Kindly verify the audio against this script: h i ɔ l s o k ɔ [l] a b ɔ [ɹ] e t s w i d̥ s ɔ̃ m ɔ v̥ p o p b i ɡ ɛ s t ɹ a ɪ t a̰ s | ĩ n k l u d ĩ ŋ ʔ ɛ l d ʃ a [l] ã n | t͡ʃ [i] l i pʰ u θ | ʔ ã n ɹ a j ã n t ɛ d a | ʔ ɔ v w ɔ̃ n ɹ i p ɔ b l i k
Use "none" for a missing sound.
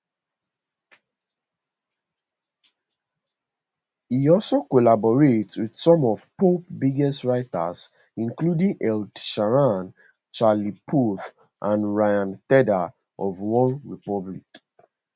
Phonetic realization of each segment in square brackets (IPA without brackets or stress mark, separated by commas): l, ɹ, ɹ, a